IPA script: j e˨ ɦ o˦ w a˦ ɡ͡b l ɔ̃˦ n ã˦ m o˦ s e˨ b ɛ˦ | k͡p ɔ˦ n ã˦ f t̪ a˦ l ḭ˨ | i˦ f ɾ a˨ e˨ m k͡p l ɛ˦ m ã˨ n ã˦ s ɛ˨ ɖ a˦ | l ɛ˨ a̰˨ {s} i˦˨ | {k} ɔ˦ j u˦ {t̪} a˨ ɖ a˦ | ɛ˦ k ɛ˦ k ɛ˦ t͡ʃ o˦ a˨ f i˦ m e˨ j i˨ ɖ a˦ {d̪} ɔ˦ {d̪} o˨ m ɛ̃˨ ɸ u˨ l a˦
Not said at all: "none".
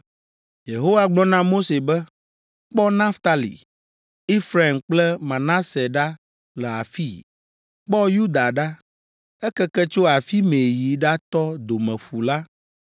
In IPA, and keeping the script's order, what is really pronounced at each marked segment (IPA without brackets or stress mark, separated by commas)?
f, k͡p, d̪, t̪, d̪